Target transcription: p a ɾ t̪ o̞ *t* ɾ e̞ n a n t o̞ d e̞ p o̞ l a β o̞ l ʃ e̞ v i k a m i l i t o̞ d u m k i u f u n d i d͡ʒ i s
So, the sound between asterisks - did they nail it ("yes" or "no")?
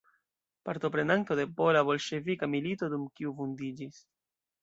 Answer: no